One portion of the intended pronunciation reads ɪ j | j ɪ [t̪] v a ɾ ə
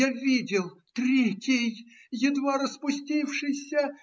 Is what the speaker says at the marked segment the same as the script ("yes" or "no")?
no